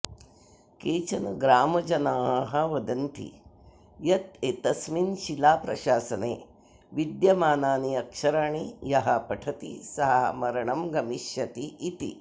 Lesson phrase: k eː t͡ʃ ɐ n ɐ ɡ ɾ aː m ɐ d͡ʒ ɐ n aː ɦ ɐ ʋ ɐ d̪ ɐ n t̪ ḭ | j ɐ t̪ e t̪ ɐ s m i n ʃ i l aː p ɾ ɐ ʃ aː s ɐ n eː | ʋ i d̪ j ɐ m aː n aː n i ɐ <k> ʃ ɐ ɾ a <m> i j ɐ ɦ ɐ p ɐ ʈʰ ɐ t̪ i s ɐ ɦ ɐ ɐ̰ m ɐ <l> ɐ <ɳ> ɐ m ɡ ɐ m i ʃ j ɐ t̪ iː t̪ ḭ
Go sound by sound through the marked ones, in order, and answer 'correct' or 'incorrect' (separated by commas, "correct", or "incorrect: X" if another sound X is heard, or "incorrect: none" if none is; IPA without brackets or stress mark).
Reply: correct, incorrect: ɳ, incorrect: ɾ, correct